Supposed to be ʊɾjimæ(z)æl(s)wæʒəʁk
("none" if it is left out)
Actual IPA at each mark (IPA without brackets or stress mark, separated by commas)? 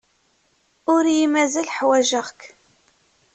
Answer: z, ħ